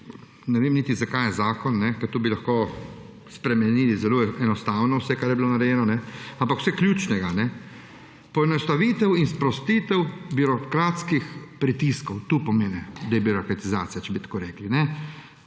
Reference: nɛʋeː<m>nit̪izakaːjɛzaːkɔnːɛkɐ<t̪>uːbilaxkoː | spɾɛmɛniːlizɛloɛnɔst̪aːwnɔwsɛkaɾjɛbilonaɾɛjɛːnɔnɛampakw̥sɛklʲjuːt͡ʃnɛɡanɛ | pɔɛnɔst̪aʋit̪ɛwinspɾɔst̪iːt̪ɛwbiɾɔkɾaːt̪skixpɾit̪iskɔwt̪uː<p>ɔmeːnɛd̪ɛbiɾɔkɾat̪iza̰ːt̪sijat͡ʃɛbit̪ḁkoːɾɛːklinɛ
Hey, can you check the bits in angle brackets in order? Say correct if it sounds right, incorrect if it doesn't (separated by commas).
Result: correct, correct, correct